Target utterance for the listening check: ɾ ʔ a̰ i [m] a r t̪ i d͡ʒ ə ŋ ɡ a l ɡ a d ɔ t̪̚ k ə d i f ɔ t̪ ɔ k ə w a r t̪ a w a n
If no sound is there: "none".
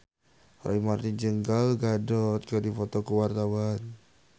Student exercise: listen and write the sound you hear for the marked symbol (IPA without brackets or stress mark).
m